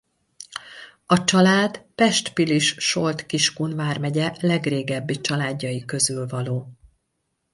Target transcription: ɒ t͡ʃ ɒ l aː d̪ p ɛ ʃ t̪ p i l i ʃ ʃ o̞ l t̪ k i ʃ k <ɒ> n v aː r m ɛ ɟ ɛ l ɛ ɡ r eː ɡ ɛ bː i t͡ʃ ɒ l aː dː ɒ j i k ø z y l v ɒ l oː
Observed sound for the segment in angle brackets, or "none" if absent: u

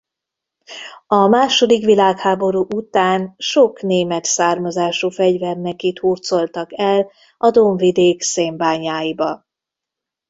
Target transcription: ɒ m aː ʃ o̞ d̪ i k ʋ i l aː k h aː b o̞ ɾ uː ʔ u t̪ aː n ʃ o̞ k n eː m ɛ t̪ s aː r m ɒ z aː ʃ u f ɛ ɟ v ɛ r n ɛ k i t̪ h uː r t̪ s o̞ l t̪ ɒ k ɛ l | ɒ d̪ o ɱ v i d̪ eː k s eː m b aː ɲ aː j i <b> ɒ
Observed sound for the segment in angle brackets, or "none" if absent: b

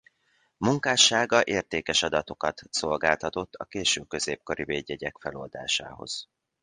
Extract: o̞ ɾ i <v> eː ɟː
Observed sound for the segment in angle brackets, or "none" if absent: v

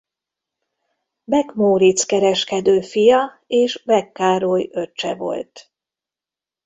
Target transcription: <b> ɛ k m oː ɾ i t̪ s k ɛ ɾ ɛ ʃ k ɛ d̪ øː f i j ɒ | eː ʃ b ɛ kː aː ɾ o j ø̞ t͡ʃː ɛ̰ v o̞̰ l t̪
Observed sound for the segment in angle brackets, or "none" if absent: b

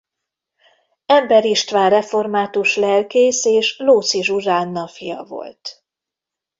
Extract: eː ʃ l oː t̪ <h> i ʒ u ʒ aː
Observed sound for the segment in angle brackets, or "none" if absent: s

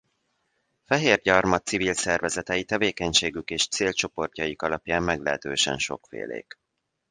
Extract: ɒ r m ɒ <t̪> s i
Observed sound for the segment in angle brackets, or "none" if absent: t̪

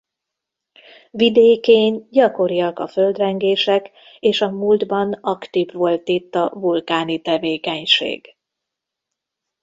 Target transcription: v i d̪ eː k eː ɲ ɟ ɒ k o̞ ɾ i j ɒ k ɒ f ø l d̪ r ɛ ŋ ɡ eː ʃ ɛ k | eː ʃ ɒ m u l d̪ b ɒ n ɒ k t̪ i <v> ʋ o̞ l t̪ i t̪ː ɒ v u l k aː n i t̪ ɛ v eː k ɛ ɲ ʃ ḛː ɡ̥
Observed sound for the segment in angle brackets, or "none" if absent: v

